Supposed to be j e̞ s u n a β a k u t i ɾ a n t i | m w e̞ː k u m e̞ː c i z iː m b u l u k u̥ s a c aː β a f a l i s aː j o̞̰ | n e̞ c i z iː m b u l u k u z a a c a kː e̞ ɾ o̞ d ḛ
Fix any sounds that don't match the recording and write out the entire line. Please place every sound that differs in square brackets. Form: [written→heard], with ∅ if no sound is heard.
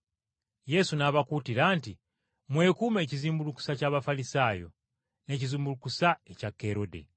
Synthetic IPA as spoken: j e̞ s u n a β a k u t i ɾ a n t i | m w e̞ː k u m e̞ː c i z iː m b u l u k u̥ s a c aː β a f a l i s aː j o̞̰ | n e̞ c i z iː m b u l u k u [z→s] a [a→e] c a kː e̞ ɾ o̞ d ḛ